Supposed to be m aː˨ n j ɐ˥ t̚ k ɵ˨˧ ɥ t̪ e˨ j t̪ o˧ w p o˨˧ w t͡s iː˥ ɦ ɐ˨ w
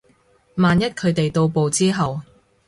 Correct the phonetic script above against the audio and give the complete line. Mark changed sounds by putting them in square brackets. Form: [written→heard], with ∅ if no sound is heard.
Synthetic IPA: m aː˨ n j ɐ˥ t̚ [k→kʰ] ɵ˨˧ ɥ t̪ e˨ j t̪ o˧ w p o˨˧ w t͡s iː˥ ɦ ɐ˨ w